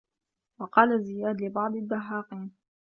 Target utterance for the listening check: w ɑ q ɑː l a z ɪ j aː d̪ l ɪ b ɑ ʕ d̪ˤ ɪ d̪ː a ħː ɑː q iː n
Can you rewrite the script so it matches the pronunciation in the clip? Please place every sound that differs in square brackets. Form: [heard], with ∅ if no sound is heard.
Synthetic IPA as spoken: w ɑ q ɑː l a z ɪ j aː d̪ l ɪ b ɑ ʕ d̪ˤ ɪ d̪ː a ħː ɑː q iː n